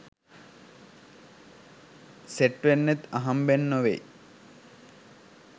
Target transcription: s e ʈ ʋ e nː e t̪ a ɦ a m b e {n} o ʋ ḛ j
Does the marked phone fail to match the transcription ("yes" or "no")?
yes